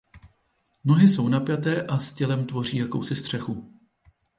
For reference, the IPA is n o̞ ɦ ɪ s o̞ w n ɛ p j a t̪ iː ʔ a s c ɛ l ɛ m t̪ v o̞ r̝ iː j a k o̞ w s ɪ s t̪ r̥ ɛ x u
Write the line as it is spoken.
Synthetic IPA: n o̞ ɦ ɪ s o̞ w n a p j a t̪ ɛː ʔ a s c ɛ l ɛ m t̪ v o̞ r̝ iː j a k o̞ w s ɪ s t̪ r̥ ɛ x u